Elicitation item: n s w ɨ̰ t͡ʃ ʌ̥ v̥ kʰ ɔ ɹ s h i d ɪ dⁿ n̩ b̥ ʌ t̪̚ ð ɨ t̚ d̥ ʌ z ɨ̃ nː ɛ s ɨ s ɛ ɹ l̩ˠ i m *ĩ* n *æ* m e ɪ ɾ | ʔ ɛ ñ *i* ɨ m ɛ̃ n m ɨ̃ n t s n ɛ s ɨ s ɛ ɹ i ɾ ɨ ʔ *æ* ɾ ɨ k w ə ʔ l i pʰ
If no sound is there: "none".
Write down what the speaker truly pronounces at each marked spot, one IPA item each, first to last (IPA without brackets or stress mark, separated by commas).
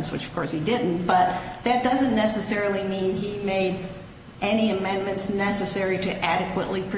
ĩ, i, i, æ